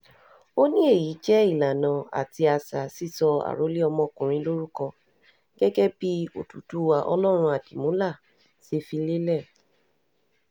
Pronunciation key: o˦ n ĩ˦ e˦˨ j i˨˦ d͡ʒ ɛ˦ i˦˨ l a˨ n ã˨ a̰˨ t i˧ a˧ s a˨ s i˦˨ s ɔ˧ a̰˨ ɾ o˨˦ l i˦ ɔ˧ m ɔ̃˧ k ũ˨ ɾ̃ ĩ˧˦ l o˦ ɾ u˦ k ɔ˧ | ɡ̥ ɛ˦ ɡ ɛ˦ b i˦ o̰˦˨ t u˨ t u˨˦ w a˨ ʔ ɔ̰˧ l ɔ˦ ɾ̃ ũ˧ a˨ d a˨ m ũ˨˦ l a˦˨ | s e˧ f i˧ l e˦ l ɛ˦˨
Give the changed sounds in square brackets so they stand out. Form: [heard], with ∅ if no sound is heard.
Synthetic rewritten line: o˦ n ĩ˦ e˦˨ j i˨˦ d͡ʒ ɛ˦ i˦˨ l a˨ n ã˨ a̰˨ t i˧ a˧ s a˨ s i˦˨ s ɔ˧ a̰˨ ɾ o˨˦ l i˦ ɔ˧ m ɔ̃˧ k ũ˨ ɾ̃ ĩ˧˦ l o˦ ɾ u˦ k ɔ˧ | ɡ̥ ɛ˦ ɡ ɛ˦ b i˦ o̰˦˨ t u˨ t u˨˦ w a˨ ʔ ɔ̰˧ l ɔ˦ ɾ̃ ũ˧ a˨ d [i˨] m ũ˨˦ l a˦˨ | s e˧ f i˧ l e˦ l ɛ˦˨